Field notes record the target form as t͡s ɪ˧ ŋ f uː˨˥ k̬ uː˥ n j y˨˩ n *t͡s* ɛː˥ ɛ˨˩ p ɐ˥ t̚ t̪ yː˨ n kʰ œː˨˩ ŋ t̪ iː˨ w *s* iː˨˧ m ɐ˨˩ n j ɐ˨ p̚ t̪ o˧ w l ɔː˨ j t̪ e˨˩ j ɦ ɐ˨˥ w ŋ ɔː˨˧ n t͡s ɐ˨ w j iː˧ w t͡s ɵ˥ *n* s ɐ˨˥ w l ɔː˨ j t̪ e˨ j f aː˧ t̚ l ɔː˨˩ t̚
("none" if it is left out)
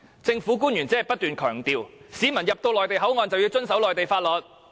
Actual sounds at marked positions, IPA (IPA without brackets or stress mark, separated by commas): t͡s, s, n